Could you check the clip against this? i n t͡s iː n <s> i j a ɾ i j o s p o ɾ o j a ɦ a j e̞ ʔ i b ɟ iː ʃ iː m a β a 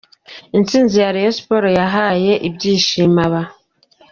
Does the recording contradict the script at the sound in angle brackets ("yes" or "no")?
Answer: yes